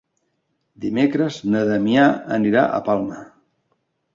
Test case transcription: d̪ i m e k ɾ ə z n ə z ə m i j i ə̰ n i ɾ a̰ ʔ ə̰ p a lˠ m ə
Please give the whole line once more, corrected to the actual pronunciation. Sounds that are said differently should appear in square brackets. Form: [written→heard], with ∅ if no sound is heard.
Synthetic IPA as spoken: d̪ i m e k ɾ ə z n ə [z→ð] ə m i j [i→a] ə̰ n i ɾ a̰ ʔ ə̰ p a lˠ m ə

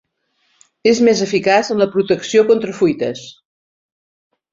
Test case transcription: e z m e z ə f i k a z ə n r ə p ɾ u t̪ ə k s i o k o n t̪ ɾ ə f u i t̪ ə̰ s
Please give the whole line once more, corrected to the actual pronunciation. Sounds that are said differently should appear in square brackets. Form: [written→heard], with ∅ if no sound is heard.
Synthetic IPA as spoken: e z m e z ə f i k a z ə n [r→l] ə p ɾ u t̪ ə k s i o k o n t̪ ɾ ə f u [i→j] t̪ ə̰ s

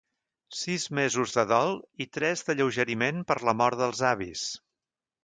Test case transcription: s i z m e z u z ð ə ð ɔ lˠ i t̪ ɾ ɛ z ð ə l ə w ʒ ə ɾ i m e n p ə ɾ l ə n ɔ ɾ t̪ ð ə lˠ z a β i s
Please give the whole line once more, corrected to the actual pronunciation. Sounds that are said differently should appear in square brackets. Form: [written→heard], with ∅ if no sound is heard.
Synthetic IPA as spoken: s i z m e z u z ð ə ð ɔ lˠ i t̪ ɾ ɛ z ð ə [l→ʎ] ə w ʒ ə ɾ i m e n p ə ɾ l ə [n→m] ɔ ɾ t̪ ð ə lˠ z a β i s

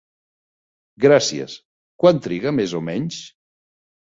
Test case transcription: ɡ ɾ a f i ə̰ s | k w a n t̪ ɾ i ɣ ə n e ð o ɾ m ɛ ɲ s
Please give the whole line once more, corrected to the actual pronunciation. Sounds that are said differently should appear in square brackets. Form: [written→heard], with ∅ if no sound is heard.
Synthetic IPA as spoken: ɡ ɾ a [f→s] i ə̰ s | k w a n t̪ ɾ i ɣ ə [n→m] e [ð→z] o [ɾ→∅] m ɛ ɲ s

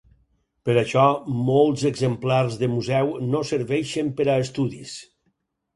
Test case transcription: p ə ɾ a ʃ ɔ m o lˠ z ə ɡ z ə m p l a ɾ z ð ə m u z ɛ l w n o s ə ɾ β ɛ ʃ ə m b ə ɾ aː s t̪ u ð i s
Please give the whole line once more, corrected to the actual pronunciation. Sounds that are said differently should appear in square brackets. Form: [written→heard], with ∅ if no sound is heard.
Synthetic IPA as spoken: p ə ɾ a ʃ ɔ m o lˠ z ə ɡ z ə m p l a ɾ z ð ə m u z ɛ [l→∅] w n o s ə ɾ β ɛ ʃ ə m [b→p] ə ɾ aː s t̪ u ð i s

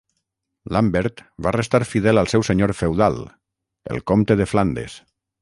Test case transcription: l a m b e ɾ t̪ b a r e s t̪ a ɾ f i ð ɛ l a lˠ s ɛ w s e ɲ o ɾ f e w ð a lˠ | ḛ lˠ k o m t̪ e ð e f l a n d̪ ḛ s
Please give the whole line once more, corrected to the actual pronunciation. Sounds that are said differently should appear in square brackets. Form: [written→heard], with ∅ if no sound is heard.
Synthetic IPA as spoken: l a m b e ɾ t̪ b a r e s t̪ a ɾ f i ð ɛ l a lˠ s ɛ w s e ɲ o ɾ f e w ð a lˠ | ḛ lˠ k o m t̪ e ð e f l a n d̪ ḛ s

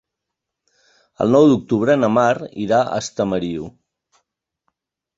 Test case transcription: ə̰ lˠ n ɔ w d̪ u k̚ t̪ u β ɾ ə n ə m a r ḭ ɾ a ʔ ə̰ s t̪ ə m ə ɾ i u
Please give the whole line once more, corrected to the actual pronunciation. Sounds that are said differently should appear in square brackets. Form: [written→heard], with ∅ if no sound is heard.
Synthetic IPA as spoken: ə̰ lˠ n ɔ w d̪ u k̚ t̪ u β ɾ ə n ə m a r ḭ ɾ a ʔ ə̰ s t̪ ə m ə ɾ i u

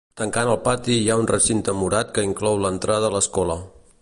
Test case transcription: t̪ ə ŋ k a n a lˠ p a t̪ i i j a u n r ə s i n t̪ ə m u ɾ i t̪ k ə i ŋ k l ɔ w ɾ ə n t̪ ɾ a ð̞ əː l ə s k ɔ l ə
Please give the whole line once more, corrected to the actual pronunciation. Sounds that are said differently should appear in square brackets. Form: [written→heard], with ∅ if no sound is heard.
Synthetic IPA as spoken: t̪ ə ŋ k a n [a→ə] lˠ p a t̪ i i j a u n r ə s i n t̪ ə m u ɾ [i→a] t̪ k ə i ŋ k l ɔ w [ɾ→l] ə n t̪ ɾ a ð̞ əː l ə s k ɔ l ə

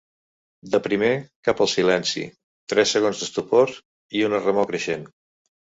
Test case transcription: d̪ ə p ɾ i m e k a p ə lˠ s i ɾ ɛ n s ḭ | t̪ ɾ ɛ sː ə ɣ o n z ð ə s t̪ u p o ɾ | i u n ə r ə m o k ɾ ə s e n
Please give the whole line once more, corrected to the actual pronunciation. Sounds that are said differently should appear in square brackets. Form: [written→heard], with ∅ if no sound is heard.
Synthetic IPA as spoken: d̪ ə p ɾ i m e k a p ə lˠ s i [ɾ→l] ɛ n s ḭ | t̪ ɾ ɛ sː ə ɣ o n z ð ə s t̪ u p o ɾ | i u n ə r ə m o k ɾ ə [s→ʃ] e n

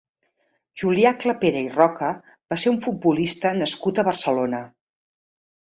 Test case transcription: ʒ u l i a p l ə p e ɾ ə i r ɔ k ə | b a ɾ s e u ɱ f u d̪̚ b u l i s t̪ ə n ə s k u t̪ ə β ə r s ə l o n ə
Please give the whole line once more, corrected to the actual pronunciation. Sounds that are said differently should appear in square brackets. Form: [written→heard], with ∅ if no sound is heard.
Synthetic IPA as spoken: ʒ u l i a [p→k] l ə p e ɾ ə i r ɔ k ə | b a [ɾ→∅] s e u ɱ f u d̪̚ b u l i s t̪ ə n ə s k u t̪ ə β ə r s ə l o n ə

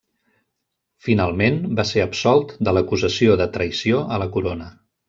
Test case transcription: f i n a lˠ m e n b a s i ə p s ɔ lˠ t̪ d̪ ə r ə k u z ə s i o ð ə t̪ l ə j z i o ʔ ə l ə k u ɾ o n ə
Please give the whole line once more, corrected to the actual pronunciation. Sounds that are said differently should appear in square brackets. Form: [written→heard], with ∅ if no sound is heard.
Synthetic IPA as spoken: f i n a lˠ m e n b a s [i→e] ə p s ɔ lˠ t̪ d̪ ə [r→l] ə k u z ə s i o ð ə t̪ [l→ɾ] ə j [z→s] i o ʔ ə l ə k u ɾ o n ə

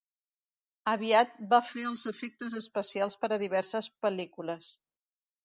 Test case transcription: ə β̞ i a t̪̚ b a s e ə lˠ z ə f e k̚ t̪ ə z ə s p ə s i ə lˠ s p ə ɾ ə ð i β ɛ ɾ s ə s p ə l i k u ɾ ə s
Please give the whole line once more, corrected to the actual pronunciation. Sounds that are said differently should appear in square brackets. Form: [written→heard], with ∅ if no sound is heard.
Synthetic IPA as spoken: ə β̞ i a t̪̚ b a [s→f] e ə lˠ z ə f e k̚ t̪ ə z ə s p ə s i [ə→a] lˠ s p ə ɾ ə ð i β ɛ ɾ s ə s p ə l i k u [ɾ→l] ə s

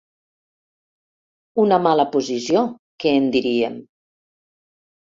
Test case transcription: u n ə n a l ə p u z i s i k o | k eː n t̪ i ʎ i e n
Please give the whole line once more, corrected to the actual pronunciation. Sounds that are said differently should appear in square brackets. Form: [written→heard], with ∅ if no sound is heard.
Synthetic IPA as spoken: u n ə [n→m] a l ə p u z i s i [k→∅] o | k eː n [t̪→d̪] i [ʎ→ɾ] i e [n→m]

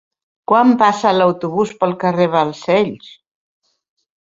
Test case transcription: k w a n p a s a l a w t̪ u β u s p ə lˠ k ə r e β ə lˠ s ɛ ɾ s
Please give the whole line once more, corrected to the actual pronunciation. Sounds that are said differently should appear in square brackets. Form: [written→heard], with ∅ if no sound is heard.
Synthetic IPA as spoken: k w a [n→m] p a s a l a w t̪ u β u s p ə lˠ k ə r e β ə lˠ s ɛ [ɾ→ʎ] s

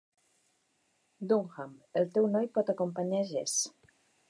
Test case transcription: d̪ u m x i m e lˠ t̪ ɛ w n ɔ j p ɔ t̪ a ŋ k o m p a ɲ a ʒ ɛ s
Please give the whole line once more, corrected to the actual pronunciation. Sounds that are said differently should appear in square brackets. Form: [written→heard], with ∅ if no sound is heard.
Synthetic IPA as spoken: d̪ u [m→ŋ] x [i→a] m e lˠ t̪ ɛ w n ɔ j p ɔ t̪ a [ŋ→∅] k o m p a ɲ a ʒ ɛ s

